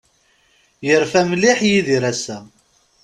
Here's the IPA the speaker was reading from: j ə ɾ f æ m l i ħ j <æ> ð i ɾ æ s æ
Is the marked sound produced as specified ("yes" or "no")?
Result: no